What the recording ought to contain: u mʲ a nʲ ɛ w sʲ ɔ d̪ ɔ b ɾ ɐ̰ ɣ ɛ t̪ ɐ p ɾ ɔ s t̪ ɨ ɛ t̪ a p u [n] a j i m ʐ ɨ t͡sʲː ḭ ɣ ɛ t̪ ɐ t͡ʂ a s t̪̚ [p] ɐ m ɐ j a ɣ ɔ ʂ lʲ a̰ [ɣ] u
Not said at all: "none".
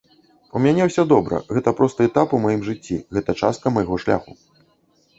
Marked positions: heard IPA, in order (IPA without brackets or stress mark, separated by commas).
m, k, x